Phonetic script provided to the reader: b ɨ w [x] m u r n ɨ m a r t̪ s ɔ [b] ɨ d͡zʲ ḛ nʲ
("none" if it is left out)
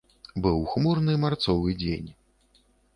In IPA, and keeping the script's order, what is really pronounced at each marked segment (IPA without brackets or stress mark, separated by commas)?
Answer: x, v